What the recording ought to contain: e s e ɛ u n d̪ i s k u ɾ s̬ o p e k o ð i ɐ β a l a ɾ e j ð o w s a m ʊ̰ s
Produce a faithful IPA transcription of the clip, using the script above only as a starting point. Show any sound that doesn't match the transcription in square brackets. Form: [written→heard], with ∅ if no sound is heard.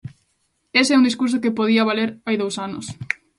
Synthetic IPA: e s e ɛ u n d̪ i s k u ɾ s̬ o [p→k] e [k→p] o ð i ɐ β a l [a→e] ɾ [e→a] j ð o w s a [m→n] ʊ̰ s